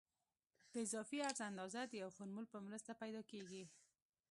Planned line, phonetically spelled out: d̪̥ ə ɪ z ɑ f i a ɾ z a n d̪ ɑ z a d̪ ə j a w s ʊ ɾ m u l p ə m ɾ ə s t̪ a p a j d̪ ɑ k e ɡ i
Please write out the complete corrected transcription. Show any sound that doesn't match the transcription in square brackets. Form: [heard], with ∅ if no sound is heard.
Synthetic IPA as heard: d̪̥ ə ɪ z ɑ f i a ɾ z a n d̪ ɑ z a d̪ ə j a w [x] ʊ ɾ m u l p ə m ɾ ə s t̪ a p a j d̪ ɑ k e ɡ i